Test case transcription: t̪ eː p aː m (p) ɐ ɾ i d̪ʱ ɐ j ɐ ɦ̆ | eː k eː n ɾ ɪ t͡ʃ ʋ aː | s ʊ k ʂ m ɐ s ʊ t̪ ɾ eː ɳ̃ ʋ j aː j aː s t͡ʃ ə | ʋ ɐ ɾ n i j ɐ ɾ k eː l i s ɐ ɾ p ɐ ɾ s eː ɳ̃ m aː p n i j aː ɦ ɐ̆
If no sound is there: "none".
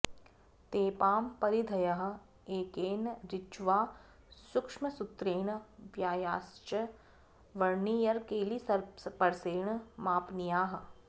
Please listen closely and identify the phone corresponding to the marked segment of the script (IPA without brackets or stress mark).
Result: p